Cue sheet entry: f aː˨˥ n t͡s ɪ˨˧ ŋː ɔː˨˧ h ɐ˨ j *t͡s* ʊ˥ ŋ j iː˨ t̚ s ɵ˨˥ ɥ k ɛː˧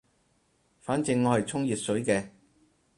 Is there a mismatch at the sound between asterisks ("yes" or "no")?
yes